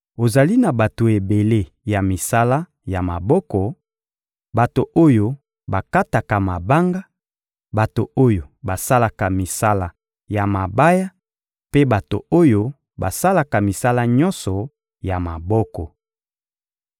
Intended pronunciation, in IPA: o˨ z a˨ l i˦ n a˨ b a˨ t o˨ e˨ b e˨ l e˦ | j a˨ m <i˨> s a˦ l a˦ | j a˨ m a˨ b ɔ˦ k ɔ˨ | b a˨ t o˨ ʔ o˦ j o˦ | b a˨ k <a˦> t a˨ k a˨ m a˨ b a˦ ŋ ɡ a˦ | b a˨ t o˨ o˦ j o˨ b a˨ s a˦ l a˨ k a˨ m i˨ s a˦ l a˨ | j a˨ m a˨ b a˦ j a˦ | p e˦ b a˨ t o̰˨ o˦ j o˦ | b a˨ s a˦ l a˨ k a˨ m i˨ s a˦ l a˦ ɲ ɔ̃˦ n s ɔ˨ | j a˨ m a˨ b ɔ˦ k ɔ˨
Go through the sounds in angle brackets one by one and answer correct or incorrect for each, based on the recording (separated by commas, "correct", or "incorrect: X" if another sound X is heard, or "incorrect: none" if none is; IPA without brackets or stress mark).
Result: correct, correct